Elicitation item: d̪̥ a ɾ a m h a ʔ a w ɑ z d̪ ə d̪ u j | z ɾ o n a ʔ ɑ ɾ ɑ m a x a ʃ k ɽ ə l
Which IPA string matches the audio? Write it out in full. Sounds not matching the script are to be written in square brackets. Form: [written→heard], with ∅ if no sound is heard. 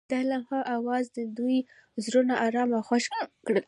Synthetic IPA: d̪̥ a [ɾ→l] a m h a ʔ a w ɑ z d̪ ə d̪ u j | z ɾ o n a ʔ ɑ ɾ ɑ m a x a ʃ k ɽ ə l